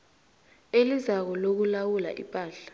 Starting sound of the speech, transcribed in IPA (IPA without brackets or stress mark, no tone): e